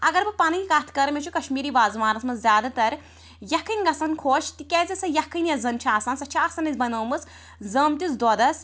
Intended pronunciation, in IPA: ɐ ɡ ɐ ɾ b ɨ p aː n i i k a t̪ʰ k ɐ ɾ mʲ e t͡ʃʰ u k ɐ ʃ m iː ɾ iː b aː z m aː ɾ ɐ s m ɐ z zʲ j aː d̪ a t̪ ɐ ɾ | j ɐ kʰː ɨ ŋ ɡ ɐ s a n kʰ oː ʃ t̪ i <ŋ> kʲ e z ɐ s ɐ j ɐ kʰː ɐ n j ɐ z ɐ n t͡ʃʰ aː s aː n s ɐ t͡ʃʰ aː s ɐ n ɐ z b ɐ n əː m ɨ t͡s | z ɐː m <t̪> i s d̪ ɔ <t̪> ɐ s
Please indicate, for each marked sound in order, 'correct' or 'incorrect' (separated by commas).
incorrect, correct, incorrect